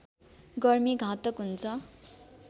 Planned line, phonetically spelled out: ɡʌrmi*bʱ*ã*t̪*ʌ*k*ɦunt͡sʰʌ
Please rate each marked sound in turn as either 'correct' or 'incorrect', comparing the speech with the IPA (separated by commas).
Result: incorrect, correct, correct